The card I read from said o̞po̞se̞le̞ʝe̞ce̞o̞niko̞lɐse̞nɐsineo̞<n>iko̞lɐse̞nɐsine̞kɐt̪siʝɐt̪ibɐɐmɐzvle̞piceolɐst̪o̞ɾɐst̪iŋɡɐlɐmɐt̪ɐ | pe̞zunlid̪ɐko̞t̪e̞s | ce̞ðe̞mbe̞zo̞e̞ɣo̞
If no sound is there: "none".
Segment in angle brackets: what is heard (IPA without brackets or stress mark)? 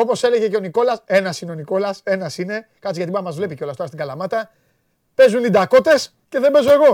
n